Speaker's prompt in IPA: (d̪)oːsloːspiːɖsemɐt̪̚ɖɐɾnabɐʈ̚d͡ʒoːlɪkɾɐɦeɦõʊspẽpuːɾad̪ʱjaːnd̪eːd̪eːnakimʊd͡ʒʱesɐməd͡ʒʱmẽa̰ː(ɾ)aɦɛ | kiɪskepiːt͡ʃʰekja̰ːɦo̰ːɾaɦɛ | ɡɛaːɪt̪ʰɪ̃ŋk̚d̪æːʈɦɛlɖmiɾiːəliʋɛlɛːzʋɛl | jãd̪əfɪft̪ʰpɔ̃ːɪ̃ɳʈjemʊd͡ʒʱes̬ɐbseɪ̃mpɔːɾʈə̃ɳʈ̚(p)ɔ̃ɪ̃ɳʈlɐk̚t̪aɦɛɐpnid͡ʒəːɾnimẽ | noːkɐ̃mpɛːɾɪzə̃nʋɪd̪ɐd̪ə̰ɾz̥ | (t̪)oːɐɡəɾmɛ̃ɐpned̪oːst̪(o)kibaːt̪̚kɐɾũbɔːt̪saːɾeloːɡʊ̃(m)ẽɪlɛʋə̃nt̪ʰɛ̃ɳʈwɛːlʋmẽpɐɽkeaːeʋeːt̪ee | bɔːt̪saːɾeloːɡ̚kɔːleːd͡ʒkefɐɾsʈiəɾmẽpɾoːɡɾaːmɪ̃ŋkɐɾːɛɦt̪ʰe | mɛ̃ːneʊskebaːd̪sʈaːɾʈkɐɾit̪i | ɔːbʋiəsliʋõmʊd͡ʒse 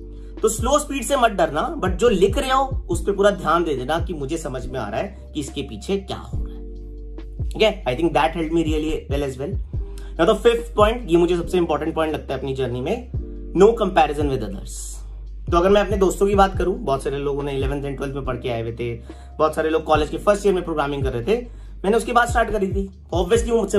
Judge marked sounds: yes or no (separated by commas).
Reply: no, yes, yes, yes, no, no